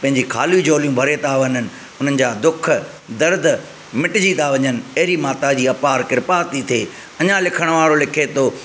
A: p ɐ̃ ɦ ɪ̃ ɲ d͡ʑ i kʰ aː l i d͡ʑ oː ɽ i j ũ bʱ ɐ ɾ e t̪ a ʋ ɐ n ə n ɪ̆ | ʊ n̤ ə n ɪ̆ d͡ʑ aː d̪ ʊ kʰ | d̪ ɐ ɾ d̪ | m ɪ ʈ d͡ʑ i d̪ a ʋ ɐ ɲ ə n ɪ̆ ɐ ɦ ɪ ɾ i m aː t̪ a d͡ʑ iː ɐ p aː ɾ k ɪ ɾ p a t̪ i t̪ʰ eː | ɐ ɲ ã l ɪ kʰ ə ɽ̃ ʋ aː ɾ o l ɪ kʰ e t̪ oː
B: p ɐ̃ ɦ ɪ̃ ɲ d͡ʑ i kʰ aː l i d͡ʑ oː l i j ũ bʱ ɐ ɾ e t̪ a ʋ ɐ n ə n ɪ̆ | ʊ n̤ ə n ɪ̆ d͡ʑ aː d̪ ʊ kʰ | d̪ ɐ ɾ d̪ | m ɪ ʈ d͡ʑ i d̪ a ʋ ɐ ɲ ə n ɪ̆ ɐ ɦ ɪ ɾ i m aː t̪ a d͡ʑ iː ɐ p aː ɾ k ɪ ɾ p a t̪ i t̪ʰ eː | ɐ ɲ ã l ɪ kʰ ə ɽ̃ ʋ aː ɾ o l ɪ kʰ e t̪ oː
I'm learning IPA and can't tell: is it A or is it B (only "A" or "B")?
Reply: B